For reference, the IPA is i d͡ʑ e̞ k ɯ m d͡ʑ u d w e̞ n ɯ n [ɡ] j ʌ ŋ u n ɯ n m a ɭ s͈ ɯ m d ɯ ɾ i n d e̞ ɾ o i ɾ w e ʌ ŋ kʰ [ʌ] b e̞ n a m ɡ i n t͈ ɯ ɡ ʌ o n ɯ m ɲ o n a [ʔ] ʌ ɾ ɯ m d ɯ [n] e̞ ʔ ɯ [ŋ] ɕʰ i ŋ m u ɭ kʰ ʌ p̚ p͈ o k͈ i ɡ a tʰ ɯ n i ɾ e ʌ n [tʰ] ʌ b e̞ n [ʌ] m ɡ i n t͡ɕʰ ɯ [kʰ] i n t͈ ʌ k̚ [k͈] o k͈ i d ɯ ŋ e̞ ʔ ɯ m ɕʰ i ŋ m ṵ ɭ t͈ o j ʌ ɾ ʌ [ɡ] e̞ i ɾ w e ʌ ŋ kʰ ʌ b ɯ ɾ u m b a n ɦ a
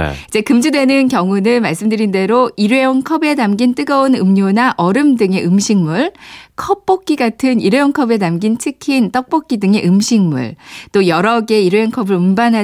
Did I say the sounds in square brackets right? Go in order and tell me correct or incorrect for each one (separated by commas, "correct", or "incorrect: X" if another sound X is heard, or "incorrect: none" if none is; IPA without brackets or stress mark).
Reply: incorrect: k, correct, correct, incorrect: ŋ, incorrect: m, incorrect: kʰ, incorrect: a, correct, incorrect: p͈, correct